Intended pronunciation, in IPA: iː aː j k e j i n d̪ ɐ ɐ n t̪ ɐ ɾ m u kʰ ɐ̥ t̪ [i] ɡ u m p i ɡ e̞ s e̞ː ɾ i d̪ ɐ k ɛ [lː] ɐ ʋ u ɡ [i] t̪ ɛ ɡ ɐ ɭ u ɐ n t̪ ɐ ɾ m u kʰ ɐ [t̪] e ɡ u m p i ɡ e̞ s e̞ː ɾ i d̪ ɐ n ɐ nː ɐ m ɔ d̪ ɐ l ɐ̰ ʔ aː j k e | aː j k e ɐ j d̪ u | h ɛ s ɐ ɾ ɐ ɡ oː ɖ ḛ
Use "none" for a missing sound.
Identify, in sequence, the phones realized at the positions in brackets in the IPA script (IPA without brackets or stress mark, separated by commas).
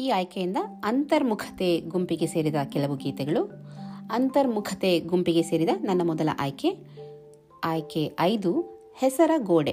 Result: e, l, iː, t̪